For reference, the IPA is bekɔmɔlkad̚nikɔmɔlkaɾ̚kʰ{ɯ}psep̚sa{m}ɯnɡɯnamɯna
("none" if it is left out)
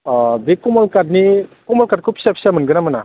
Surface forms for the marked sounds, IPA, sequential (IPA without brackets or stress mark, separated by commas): u, m